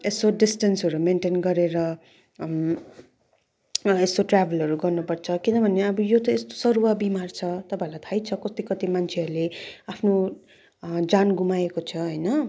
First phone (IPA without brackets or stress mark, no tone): e